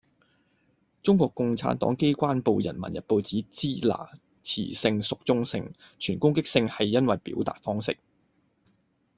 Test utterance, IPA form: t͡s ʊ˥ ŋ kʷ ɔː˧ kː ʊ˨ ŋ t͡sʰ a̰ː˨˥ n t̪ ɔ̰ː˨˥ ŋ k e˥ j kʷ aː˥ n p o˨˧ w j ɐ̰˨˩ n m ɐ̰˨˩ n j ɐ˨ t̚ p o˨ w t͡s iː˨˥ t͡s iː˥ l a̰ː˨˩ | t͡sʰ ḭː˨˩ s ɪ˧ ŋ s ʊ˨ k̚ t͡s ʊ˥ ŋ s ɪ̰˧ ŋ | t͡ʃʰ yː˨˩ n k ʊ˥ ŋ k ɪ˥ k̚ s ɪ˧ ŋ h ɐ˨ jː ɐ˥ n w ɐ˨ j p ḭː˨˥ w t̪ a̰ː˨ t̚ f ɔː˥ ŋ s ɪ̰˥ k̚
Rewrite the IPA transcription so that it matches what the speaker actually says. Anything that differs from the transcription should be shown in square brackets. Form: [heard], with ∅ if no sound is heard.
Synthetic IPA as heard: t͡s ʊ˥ ŋ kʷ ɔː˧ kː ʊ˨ ŋ t͡sʰ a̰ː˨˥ n t̪ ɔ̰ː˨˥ ŋ k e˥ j kʷ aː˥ n p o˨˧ w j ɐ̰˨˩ n m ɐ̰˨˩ n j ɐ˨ t̚ p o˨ w t͡s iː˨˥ t͡s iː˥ l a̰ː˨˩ | t͡sʰ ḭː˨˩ s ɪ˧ ŋ s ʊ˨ k̚ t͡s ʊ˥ ŋ s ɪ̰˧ ŋ | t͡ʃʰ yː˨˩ n k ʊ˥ ŋ k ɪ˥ k̚ s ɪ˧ ŋ h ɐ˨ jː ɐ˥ n w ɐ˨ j p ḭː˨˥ w t̪ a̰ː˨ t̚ f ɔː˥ ŋ s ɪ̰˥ k̚

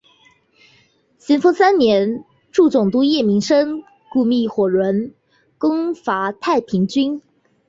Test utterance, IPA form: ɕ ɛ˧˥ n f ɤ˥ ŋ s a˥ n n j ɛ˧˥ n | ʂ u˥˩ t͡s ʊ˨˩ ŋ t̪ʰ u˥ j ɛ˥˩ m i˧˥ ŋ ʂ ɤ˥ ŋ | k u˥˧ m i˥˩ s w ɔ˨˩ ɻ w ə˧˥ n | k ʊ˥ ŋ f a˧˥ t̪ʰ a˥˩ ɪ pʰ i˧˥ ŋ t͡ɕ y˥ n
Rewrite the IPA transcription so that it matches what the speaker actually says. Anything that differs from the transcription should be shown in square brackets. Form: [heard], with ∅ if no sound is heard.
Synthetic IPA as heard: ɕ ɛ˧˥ n f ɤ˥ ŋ s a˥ n n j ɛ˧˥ n | [ʈ͡ʂ] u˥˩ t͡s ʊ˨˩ ŋ [t̪] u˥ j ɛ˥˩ m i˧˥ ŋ ʂ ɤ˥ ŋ | k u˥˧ m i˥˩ [x] w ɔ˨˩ ɻ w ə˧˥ n | k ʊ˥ ŋ f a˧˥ t̪ʰ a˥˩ ɪ pʰ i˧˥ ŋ t͡ɕ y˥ n

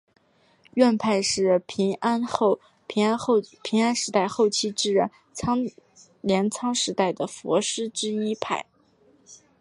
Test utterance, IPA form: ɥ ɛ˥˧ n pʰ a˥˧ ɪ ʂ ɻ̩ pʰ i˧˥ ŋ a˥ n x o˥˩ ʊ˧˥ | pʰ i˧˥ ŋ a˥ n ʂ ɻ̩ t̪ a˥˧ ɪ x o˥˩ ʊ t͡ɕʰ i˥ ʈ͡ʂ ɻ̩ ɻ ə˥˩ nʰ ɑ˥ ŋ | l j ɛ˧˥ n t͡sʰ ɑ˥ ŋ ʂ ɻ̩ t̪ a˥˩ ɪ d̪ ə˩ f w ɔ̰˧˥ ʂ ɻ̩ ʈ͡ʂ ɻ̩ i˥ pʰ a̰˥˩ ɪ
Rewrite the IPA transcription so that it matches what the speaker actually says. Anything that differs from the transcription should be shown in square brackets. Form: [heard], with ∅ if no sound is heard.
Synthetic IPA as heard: ɥ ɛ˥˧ n pʰ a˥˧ ɪ ʂ ɻ̩ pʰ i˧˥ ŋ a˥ n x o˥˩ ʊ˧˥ | pʰ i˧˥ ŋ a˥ n ʂ ɻ̩ t̪ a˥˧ ɪ x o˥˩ ʊ t͡ɕʰ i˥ ʈ͡ʂ ɻ̩ ɻ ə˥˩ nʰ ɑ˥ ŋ | l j ɛ˧˥ n t͡sʰ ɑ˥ ŋ ʂ ɻ̩ t̪ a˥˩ ɪ d̪ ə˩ f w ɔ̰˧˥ ʂ ɻ̩ ʈ͡ʂ ɻ̩ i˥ pʰ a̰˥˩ ɪ

